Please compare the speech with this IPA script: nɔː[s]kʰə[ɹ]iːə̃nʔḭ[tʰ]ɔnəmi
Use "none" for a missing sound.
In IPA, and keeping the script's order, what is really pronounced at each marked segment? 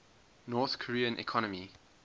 θ, ɹ, kʰ

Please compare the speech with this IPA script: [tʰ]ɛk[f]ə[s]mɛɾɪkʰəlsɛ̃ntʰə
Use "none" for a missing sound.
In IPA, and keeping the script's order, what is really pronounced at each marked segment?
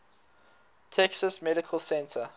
tʰ, s, s

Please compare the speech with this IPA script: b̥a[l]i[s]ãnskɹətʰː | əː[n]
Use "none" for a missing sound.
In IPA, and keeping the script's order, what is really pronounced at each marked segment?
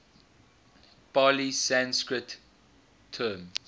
l, s, m

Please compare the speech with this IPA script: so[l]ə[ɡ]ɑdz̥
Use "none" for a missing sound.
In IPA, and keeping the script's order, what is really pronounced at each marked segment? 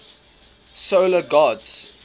l, ɡ

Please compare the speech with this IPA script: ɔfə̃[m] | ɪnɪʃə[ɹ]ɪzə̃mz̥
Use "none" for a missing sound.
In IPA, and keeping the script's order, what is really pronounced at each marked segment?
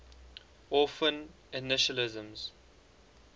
n, l

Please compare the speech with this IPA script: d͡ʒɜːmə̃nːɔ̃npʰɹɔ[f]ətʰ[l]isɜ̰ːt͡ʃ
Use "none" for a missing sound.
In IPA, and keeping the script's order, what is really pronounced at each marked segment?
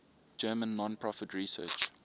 f, ɹ

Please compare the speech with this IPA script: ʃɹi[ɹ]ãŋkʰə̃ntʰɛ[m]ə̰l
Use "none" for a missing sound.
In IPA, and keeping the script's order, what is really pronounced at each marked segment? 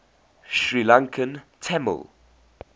l, m

